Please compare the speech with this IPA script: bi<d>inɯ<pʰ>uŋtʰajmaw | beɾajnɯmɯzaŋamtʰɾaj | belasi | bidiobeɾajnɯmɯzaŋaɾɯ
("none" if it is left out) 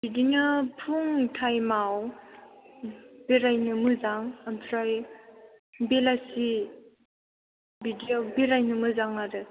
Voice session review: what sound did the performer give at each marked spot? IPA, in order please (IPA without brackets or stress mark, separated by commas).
d, pʰ